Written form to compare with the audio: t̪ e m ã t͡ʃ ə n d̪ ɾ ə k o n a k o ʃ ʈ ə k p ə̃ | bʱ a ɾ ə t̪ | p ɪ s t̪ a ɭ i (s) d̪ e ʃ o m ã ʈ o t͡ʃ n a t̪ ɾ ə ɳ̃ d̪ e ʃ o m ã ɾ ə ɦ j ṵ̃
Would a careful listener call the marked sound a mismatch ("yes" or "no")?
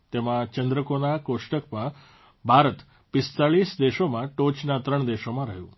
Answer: no